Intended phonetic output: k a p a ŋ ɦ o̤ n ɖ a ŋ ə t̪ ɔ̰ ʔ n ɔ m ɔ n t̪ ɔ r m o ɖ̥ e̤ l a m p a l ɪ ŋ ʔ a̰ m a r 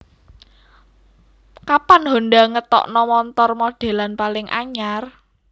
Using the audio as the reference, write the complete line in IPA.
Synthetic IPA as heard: k a p a n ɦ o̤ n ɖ a ŋ ə t̪ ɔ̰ ʔ n ɔ m ɔ n t̪ ɔ r m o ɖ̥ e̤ l a n p a l ɪ ŋ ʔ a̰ ɲ a r